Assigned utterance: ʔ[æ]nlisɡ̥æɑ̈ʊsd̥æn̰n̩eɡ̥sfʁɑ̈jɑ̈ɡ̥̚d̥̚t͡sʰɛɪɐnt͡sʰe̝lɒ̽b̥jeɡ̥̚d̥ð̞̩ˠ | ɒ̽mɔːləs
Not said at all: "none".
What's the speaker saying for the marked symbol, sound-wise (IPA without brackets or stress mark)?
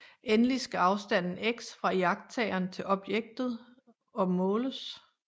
e